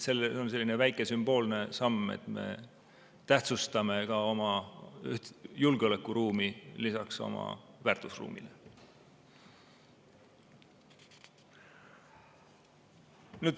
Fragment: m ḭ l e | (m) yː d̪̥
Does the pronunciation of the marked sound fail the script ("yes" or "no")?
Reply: yes